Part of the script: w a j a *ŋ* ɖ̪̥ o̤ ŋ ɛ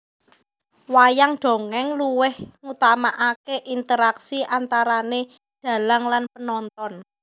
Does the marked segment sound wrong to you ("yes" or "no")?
no